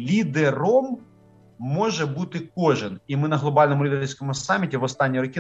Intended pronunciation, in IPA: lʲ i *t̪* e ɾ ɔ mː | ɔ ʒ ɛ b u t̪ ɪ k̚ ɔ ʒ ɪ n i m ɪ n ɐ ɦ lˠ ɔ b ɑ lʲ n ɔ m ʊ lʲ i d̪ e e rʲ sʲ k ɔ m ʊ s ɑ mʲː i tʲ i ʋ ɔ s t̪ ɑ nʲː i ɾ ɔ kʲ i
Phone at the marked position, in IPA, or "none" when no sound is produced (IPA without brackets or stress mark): d̪